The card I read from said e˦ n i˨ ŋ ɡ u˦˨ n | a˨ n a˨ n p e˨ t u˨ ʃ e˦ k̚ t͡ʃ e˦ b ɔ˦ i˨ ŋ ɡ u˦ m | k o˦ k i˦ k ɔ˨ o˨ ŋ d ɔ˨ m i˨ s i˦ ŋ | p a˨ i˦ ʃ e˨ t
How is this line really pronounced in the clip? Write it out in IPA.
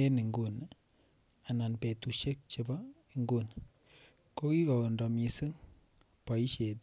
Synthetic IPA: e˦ n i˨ ŋ ɡ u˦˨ n | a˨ n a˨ n p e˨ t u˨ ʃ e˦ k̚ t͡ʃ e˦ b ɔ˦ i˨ ŋ ɡ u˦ n | k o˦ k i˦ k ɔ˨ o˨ n d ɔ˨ m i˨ s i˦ ŋ | p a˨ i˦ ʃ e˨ t